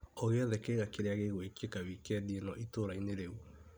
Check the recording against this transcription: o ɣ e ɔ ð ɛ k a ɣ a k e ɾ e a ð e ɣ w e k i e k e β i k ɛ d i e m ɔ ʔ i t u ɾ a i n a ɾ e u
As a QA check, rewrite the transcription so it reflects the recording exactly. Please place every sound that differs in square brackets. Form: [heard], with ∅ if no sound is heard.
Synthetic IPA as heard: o ɣ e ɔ ð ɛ k [e] ɣ a k e ɾ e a [ɣ] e ɣ w e k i e k [a] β i k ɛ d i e [n] ɔ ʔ i t [o] ɾ a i n [e] ɾ e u